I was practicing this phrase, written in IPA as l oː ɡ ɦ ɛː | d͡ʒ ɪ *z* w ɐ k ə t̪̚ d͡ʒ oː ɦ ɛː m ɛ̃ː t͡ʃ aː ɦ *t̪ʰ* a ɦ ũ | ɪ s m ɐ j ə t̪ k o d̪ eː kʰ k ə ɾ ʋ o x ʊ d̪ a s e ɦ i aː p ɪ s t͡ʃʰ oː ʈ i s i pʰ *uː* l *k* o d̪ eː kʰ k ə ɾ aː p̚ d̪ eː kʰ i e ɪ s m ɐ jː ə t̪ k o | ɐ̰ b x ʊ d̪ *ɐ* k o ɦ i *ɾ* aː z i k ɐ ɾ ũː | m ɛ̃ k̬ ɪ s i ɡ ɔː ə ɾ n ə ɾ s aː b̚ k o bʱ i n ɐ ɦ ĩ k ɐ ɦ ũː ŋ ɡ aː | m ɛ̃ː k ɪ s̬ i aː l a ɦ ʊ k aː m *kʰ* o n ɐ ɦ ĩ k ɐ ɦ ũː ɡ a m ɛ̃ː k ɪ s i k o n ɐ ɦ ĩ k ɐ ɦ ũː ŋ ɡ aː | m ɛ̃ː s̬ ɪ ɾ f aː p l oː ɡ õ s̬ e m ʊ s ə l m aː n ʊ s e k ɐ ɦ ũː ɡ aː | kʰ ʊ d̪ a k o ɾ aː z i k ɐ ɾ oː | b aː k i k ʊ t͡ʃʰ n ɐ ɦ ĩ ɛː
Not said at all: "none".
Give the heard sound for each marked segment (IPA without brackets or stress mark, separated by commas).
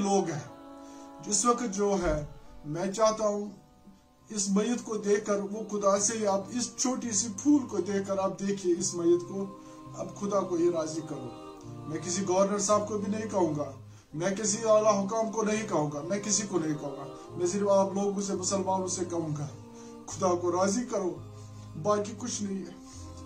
s, t̪, uː, k, a, ɾ, k